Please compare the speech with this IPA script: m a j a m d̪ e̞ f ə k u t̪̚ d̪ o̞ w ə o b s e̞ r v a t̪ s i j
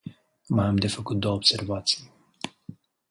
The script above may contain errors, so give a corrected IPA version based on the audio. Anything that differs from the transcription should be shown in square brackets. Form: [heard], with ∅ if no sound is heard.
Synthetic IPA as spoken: m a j a m d̪ e̞ f ə k u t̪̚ d̪ o̞ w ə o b s e̞ r v a t̪ s i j